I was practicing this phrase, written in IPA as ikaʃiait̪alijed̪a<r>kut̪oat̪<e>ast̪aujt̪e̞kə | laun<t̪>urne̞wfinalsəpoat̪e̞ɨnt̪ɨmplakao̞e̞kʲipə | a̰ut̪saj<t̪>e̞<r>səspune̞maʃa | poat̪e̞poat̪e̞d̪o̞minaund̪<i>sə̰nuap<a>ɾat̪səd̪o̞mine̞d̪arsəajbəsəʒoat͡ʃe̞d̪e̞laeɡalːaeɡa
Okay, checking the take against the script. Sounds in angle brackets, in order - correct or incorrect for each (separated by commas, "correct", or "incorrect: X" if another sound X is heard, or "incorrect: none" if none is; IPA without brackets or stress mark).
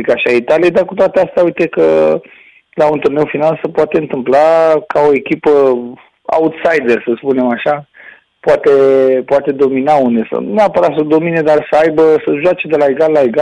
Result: correct, correct, correct, incorrect: d̪, correct, incorrect: e, incorrect: ə